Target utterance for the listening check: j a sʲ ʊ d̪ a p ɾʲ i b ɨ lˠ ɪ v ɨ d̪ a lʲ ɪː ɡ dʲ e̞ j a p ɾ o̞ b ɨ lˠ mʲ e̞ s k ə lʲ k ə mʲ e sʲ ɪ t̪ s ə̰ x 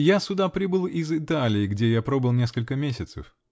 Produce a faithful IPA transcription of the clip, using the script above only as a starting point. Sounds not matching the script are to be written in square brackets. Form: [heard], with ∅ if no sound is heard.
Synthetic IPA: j a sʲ ʊ d̪ a p ɾʲ i b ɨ lˠ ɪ [z] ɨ [t̪] a lʲ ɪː ɡ dʲ e̞ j a p ɾ o̞ b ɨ lˠ [nʲ] e̞ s k ə lʲ k ə mʲ e sʲ ɪ t̪ s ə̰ [f]